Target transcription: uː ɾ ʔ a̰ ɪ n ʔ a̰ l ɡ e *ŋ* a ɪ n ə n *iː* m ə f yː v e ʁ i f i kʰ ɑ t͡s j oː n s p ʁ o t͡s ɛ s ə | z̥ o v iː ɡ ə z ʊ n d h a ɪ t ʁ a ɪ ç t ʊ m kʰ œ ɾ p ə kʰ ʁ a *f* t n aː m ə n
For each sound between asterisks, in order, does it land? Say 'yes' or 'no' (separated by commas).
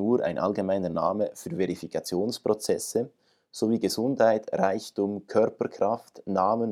no, no, yes